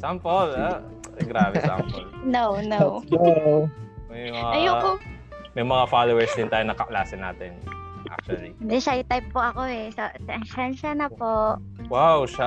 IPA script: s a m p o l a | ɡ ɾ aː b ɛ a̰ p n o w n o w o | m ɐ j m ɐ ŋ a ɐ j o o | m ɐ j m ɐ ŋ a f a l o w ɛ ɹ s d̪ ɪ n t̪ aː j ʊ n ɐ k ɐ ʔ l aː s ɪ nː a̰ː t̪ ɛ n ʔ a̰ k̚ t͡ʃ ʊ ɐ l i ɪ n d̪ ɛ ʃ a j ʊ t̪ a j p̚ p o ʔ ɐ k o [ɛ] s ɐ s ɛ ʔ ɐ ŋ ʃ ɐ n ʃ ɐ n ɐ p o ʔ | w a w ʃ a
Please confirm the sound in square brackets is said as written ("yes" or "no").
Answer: yes